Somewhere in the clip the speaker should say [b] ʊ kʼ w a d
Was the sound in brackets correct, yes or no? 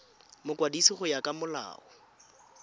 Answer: no